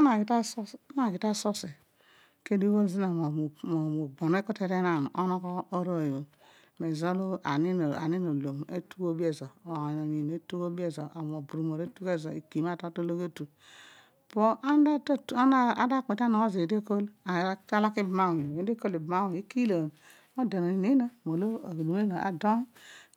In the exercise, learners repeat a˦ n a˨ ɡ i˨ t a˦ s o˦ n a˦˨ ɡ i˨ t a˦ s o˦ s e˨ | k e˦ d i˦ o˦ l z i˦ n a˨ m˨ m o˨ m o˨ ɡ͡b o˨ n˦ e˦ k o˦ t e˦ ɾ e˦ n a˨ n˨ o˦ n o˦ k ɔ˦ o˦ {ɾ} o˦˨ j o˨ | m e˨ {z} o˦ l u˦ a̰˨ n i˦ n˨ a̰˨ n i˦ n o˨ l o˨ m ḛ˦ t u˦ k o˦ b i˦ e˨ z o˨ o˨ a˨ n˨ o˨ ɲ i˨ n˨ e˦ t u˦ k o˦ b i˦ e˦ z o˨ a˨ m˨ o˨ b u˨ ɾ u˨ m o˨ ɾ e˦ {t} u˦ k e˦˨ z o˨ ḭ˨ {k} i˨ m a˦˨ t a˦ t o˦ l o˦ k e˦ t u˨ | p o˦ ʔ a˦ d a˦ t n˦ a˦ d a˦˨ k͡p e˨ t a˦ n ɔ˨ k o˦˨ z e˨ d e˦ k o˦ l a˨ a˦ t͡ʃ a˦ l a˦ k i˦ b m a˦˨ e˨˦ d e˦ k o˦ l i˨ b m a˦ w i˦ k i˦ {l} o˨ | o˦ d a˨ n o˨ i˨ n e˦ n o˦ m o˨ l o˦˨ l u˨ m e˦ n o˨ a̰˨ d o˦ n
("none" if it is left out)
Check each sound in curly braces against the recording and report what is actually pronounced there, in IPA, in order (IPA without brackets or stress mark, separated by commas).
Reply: ɾ, z, t, k, l